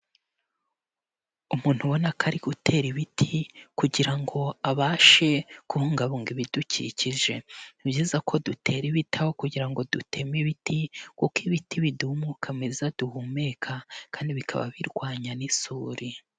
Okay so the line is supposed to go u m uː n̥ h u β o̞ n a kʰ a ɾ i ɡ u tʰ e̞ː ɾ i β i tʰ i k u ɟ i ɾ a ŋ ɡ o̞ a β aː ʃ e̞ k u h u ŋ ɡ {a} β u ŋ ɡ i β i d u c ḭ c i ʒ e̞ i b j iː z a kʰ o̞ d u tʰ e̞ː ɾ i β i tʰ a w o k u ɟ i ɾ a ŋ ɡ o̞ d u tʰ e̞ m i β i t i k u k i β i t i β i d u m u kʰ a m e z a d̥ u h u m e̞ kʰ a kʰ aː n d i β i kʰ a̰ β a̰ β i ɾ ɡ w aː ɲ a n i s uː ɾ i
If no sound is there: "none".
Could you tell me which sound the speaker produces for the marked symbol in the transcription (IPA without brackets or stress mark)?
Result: a